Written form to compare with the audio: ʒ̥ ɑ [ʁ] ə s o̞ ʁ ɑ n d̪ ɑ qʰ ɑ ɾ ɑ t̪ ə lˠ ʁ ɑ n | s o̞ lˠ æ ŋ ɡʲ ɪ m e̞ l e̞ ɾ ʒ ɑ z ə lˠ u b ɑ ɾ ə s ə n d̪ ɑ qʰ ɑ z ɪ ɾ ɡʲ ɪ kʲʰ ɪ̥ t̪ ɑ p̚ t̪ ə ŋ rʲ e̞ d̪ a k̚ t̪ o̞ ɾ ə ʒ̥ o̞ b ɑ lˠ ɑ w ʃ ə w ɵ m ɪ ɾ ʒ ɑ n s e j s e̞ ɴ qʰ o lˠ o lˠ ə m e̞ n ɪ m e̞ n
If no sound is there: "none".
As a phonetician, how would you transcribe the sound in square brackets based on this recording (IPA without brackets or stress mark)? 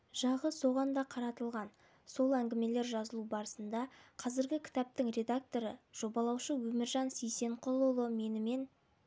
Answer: ʁ